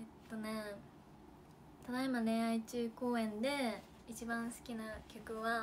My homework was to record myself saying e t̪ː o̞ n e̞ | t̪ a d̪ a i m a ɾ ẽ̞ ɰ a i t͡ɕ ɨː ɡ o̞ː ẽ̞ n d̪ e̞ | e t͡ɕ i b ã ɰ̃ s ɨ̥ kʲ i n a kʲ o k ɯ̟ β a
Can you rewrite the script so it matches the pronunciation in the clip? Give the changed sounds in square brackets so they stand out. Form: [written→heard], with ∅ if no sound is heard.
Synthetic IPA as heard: e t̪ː o̞ n e̞ | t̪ a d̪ a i m a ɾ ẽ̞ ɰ a i t͡ɕ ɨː [ɡ→k] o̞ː ẽ̞ n d̪ e̞ | [e→i] t͡ɕ i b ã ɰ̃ s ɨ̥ kʲ i n a kʲ o k ɯ̟ β a